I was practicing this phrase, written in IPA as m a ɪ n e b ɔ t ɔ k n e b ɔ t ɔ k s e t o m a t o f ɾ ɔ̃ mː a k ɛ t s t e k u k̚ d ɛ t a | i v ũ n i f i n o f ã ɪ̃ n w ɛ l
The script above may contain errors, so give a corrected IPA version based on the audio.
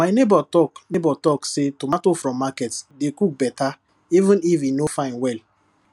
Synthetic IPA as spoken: m a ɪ n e b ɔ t ɔ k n e b ɔ t ɔ k s e t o m a t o f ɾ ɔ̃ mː a k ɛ t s d e k u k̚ b ɛ t a | i v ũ n i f i n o f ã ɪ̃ n w ɛ l